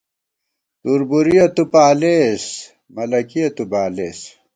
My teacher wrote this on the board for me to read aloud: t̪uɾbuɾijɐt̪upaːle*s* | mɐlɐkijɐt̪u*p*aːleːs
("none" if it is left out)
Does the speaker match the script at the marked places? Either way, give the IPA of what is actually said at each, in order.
s, b

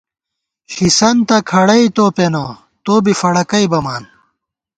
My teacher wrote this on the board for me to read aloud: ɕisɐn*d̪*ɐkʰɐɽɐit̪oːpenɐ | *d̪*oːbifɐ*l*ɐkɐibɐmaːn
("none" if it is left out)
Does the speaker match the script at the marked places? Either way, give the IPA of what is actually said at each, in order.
t̪, t̪, ɽ

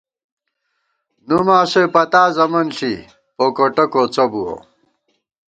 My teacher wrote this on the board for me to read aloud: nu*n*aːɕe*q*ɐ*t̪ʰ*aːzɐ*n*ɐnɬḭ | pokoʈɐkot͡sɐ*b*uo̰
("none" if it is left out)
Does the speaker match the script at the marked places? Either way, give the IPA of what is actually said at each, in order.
m, p, t̪, m, b

